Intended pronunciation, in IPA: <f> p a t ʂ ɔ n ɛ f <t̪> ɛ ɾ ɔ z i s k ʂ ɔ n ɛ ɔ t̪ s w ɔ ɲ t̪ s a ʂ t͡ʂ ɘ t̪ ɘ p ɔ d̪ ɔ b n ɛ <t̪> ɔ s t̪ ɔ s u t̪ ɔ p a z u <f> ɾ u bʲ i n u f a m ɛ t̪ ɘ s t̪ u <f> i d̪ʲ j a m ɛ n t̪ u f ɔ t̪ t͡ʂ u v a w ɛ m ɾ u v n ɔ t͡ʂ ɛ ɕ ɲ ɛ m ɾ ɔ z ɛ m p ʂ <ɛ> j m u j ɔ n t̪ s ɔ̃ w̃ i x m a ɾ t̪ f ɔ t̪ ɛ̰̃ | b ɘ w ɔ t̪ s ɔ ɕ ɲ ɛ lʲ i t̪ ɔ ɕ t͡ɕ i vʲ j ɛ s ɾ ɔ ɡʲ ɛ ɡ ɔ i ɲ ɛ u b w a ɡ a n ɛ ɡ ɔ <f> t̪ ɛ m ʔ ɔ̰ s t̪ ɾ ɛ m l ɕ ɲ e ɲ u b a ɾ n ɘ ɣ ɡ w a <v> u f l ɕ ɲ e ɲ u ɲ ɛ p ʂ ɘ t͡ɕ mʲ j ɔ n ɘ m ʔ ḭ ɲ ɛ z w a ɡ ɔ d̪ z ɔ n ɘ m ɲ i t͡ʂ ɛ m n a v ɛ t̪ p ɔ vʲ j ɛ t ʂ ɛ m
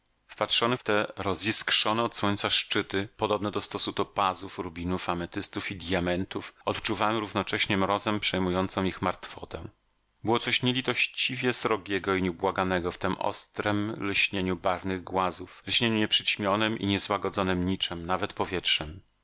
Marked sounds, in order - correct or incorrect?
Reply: correct, correct, incorrect: d̪, correct, correct, correct, correct, incorrect: z

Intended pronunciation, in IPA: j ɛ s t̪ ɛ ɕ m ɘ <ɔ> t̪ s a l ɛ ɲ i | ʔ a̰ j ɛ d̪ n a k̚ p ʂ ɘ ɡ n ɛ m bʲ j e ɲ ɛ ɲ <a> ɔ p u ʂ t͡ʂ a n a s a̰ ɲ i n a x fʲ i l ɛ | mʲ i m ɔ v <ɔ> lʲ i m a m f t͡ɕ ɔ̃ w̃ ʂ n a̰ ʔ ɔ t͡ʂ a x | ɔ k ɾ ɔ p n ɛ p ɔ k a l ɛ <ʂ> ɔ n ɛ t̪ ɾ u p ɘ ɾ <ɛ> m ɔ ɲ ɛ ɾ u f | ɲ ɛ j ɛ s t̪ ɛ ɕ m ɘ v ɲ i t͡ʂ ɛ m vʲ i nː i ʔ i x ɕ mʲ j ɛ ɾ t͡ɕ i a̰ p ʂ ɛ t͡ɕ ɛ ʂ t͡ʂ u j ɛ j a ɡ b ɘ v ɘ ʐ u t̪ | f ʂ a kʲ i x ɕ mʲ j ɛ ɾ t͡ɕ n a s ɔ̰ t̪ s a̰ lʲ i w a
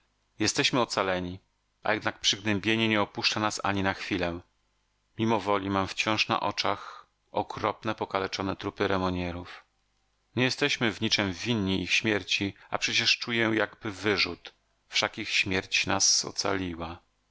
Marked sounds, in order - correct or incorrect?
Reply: correct, incorrect: ɛ, correct, incorrect: t͡ʂ, correct

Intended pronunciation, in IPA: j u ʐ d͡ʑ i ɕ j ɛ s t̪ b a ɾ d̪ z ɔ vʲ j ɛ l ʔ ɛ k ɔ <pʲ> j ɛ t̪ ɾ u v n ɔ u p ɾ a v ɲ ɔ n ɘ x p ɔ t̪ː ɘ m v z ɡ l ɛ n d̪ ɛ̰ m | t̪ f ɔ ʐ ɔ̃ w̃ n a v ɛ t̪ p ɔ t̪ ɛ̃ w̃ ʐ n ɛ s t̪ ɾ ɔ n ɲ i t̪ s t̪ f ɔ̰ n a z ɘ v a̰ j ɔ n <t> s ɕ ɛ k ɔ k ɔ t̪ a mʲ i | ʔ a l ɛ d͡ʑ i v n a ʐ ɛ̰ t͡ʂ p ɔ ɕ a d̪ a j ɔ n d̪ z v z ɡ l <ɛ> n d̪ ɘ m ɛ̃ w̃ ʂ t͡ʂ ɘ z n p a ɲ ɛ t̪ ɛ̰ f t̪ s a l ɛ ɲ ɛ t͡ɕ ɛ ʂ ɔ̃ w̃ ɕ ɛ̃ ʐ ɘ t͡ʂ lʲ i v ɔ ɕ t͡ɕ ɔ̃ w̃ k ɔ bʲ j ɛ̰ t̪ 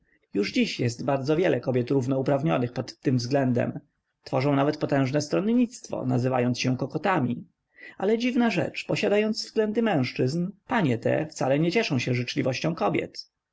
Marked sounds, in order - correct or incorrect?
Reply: incorrect: bʲ, correct, correct

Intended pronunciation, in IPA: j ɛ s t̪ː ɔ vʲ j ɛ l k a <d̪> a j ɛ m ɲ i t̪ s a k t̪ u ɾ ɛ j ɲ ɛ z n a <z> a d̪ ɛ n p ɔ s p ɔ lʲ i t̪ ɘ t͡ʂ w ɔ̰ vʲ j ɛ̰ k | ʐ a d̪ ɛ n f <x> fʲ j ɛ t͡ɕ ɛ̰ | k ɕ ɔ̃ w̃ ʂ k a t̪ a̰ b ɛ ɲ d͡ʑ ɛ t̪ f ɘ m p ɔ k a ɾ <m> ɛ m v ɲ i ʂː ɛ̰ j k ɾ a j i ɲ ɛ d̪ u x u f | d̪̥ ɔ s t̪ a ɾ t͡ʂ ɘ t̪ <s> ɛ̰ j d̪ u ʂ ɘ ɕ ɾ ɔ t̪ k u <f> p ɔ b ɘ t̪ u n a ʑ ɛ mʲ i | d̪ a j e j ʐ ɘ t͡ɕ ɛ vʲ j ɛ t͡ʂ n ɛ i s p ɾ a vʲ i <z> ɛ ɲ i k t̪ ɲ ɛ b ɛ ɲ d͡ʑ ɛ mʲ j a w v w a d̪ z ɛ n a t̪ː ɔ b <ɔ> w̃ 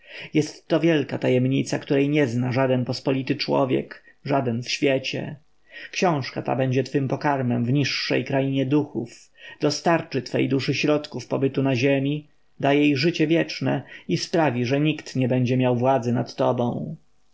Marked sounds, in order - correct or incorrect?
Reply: incorrect: t̪, incorrect: ʐ, incorrect: ɕ, correct, incorrect: f, correct, incorrect: ʐ, incorrect: ɔ̃

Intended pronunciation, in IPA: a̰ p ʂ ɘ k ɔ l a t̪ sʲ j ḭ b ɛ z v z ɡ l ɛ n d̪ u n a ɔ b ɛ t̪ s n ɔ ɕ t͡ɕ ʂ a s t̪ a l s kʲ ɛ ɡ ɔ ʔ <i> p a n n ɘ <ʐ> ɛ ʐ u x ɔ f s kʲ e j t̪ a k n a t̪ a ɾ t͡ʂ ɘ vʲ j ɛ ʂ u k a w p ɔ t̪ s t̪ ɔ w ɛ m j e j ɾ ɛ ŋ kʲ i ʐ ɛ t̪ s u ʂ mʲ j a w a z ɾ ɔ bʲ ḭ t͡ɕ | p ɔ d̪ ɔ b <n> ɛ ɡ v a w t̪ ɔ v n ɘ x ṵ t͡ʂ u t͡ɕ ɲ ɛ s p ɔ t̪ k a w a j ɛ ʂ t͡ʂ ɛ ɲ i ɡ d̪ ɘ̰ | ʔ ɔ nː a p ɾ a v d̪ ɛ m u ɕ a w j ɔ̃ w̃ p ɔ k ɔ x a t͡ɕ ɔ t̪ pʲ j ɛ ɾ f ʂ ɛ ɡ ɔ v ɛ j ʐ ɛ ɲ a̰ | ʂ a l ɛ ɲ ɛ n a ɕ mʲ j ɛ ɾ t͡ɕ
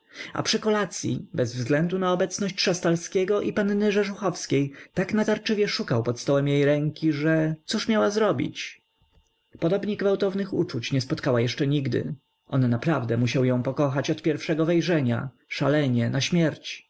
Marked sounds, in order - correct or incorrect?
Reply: correct, correct, incorrect: ɲ

